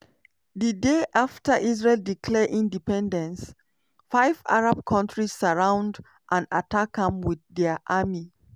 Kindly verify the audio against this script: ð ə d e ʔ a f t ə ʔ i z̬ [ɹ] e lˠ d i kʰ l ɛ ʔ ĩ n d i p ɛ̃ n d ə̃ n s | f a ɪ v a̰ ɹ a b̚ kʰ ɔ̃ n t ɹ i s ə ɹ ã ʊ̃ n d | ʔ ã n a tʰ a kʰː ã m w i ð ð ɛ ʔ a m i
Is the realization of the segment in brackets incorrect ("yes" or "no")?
no